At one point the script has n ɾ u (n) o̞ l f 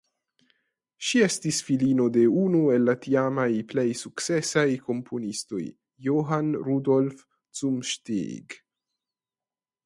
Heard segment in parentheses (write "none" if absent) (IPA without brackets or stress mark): d